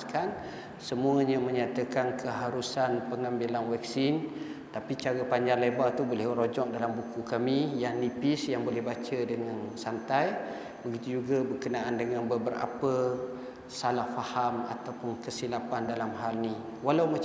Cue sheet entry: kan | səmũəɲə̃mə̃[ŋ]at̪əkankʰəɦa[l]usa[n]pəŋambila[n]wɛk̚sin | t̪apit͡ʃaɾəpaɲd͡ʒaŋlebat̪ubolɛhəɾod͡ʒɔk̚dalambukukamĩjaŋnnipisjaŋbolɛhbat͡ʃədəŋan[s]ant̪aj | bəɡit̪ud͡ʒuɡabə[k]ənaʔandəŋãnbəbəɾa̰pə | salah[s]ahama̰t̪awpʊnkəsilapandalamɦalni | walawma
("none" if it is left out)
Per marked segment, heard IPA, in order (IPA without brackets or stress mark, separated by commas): ɲ, ɾ, n, n, s, k, f